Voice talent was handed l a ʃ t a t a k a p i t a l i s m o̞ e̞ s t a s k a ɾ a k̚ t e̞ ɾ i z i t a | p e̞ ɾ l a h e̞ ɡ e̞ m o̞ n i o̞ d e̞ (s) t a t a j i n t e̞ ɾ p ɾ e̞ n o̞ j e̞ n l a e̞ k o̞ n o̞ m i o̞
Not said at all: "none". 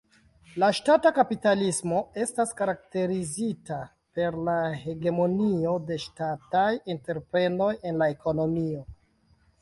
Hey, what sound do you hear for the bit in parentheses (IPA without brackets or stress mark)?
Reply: ʃ